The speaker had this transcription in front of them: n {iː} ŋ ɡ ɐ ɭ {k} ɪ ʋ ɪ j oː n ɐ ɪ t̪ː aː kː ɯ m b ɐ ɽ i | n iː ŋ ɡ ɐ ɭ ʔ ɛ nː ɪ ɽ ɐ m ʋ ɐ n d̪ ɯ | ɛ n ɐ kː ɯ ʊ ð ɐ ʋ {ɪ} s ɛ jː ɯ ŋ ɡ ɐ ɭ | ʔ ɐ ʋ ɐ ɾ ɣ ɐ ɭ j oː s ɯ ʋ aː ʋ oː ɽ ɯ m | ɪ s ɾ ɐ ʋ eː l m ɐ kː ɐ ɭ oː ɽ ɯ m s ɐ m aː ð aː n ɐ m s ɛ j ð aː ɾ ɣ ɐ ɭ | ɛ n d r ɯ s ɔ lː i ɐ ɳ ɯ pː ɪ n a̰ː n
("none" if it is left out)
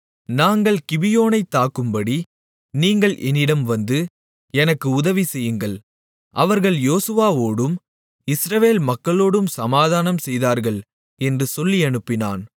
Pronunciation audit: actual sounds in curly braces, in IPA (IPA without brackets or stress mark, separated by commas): aː, k, i